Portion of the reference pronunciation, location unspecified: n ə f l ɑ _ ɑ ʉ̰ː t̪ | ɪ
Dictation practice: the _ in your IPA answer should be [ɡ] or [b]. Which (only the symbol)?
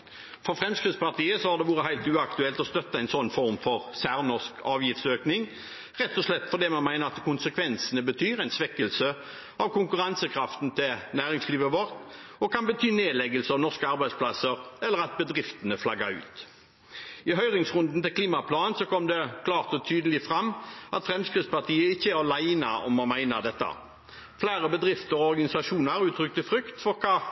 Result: ɡ